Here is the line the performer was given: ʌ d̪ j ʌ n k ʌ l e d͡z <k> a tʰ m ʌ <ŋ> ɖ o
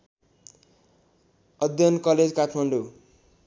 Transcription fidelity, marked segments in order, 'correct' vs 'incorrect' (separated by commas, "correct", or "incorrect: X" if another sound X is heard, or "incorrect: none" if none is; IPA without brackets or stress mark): correct, incorrect: ɳ